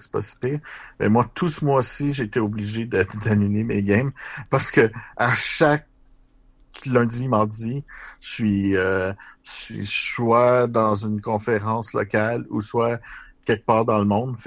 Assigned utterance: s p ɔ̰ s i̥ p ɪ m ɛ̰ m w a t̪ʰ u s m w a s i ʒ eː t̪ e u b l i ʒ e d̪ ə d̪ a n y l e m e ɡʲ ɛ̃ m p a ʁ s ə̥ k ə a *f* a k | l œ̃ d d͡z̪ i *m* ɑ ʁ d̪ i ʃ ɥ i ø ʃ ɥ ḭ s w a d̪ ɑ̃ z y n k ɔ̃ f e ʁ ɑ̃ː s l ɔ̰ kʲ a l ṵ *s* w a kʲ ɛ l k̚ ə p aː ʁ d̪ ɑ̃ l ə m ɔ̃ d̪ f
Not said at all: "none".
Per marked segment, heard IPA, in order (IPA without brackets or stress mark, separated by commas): ʃ, m, s